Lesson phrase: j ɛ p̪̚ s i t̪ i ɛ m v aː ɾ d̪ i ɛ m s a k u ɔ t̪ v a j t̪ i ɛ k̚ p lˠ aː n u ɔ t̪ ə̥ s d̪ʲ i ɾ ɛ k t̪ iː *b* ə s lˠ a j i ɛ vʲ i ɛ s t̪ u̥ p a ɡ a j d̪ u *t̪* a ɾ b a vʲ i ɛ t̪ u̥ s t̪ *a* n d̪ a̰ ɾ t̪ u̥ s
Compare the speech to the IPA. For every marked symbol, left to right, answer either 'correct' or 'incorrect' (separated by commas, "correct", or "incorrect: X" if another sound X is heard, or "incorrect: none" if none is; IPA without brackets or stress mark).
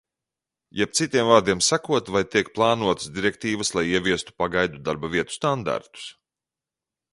incorrect: v, incorrect: d̪, correct